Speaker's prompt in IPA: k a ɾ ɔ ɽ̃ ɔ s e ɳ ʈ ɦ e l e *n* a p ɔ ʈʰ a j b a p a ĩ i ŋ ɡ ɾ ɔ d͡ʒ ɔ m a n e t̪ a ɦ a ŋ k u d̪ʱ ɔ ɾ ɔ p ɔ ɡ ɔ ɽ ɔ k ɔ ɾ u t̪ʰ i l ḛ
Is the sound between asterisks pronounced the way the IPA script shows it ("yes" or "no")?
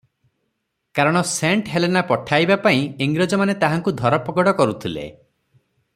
yes